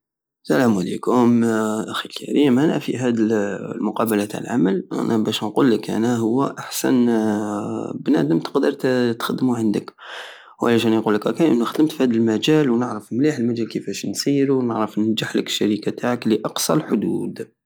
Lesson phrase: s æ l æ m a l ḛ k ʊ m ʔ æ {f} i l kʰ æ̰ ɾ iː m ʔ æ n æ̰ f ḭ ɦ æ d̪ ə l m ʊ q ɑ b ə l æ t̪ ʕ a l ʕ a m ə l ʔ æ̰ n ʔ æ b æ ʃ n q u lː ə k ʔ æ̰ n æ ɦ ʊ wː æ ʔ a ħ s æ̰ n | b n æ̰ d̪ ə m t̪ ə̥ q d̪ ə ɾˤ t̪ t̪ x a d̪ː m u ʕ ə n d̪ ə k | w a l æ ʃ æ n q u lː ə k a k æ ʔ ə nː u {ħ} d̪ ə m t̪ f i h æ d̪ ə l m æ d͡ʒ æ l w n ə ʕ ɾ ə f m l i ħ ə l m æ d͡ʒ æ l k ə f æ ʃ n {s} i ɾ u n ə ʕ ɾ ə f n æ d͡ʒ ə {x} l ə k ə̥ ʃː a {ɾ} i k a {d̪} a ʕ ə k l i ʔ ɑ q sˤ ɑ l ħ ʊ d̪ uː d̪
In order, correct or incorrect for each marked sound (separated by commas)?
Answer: incorrect, incorrect, correct, incorrect, correct, incorrect